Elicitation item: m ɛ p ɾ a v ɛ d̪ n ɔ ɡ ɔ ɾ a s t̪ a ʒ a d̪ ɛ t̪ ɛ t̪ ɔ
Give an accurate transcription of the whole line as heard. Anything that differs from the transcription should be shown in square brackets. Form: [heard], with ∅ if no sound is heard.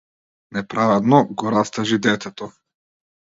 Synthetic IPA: [n] ɛ p ɾ a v ɛ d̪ n ɔ ɡ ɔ ɾ a s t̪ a ʒ [i] d̪ ɛ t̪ ɛ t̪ ɔ